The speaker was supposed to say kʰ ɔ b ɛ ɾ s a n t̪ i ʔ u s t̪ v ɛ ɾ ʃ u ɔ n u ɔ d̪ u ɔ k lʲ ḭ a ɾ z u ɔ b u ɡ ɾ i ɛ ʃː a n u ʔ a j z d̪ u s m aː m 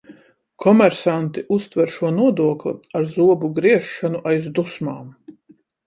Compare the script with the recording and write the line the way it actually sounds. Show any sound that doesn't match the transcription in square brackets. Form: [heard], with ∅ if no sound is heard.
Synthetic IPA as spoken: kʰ ɔ [m] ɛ ɾ s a n t̪ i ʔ u s t̪ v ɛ ɾ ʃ u ɔ n u ɔ d̪ u ɔ k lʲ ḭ a ɾ z u ɔ b u ɡ ɾ i ɛ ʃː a n u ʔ a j z d̪ u s m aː m